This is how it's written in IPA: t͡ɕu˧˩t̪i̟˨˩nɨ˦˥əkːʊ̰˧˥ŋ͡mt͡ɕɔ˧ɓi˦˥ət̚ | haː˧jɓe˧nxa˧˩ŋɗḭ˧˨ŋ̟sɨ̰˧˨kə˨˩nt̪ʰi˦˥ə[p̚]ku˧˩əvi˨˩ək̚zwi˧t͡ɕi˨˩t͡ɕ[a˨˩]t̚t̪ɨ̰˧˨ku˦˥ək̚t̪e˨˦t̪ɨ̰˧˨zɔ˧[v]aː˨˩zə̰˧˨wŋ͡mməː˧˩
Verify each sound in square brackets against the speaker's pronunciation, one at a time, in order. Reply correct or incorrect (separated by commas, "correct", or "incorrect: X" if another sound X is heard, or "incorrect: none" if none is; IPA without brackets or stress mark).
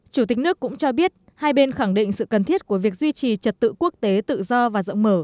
incorrect: t̚, incorrect: ə˨˩, correct